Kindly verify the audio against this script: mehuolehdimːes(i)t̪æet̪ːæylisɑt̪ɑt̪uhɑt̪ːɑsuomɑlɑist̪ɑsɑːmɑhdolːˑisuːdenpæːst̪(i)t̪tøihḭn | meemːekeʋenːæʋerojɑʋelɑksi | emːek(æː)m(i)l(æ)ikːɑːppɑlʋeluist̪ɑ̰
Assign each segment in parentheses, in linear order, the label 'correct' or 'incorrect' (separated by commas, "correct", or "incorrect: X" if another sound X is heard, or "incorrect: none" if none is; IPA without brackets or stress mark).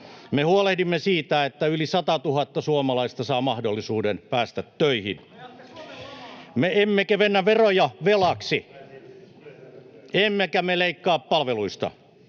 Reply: incorrect: iː, incorrect: æ, incorrect: æ, incorrect: e, incorrect: e